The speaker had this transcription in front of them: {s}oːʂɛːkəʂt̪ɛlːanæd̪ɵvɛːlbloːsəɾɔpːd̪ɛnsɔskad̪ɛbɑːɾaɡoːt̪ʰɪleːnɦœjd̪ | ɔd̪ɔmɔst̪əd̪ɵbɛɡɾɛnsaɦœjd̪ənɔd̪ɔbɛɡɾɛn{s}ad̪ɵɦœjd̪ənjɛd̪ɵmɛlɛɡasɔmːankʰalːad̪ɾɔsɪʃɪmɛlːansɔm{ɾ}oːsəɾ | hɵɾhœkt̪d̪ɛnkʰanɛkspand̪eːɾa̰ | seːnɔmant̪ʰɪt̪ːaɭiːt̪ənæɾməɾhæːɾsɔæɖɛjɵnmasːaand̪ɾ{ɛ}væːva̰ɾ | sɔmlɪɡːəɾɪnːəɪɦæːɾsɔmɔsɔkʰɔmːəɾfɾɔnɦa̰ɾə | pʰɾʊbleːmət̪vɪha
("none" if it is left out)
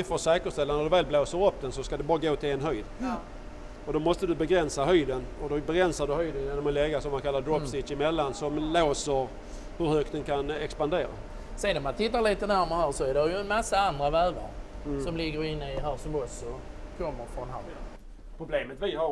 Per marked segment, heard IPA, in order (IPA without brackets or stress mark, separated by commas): f, s, l, a